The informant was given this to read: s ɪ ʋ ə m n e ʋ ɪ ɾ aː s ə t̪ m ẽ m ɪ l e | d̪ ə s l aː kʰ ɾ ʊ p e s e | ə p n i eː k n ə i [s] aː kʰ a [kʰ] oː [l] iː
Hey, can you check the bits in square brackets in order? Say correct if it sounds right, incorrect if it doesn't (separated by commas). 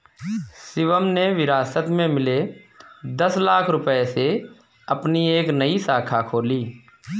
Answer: correct, correct, correct